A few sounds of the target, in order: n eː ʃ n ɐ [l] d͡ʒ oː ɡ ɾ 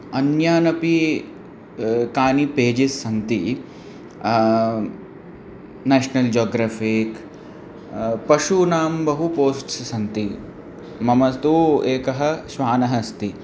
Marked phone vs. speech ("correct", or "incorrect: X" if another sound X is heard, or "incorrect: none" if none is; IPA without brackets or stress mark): correct